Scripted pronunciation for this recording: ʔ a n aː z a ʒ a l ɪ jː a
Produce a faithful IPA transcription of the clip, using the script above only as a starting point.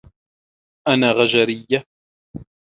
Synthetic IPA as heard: ʔ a n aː ɣ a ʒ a ɾ ɪ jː a